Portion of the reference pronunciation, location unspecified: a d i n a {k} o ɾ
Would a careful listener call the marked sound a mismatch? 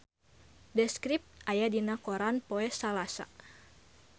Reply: no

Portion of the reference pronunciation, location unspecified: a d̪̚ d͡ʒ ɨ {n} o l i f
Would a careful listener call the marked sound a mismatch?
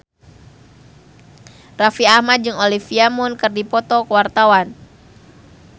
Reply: yes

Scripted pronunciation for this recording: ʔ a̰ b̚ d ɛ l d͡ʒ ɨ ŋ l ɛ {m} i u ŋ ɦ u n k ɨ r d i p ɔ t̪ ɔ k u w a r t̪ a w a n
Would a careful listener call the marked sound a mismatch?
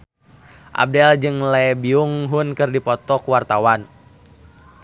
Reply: yes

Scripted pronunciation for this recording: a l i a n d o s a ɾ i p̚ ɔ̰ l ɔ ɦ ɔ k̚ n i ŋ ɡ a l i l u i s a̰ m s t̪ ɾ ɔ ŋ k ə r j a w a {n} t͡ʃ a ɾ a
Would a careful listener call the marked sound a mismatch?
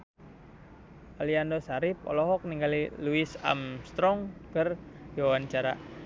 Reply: no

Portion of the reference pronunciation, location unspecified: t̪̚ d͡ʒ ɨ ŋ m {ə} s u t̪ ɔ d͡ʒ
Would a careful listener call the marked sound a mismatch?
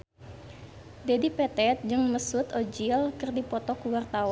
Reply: no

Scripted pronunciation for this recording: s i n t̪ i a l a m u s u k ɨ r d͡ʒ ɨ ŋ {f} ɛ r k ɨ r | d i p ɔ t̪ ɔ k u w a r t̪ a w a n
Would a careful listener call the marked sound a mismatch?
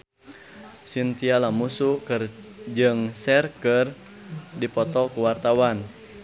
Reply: yes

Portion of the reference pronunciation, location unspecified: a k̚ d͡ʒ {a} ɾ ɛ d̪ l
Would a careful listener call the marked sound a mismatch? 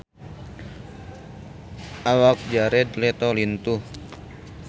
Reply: no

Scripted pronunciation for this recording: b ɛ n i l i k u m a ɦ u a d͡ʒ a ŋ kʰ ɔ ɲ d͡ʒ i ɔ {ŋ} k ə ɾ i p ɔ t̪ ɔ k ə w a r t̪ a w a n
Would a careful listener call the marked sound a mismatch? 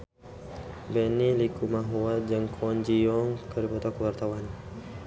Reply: no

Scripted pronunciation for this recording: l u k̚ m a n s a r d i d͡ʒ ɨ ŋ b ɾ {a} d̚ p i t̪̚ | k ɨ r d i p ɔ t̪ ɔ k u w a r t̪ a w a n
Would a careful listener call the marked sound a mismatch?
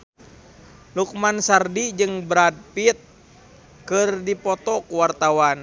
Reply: no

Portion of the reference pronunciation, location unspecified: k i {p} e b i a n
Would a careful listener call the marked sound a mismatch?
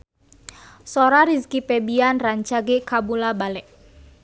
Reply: no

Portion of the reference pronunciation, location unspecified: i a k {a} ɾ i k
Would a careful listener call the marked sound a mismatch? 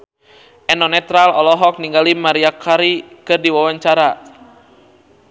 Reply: no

